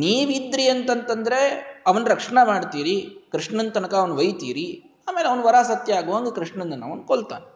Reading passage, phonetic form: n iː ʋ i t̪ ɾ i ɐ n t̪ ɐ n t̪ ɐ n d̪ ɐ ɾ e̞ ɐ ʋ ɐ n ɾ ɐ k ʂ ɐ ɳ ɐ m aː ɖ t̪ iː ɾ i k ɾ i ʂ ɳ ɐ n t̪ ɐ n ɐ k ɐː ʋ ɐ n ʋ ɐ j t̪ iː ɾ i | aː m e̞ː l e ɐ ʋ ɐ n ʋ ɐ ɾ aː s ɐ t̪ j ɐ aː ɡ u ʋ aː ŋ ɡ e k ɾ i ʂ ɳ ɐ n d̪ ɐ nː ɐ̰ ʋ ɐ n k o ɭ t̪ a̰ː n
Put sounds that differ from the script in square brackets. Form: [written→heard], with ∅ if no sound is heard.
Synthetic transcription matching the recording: n iː ʋ i [t̪→d̪] ɾ i ɐ n t̪ ɐ n t̪ ɐ n d̪ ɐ ɾ e̞ ɐ ʋ ɐ n ɾ ɐ k ʂ ɐ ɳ ɐ m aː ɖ t̪ iː ɾ i k ɾ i ʂ ɳ ɐ n t̪ ɐ n ɐ k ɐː ʋ ɐ n ʋ ɐ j t̪ iː ɾ i | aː m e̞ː l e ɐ ʋ ɐ n ʋ ɐ ɾ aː s ɐ t̪ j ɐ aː ɡ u ʋ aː ŋ ɡ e k ɾ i ʂ ɳ ɐ n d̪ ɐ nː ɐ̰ ʋ ɐ n k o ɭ t̪ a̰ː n